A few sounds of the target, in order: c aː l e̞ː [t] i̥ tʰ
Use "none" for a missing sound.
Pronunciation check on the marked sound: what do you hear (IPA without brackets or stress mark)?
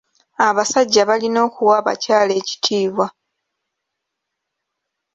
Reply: c